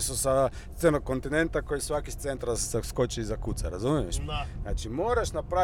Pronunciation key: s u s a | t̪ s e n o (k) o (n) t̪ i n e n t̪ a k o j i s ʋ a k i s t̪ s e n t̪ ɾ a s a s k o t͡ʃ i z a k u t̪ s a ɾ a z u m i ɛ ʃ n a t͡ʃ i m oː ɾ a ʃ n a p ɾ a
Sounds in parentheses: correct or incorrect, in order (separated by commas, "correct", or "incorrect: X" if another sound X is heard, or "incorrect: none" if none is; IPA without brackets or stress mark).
correct, correct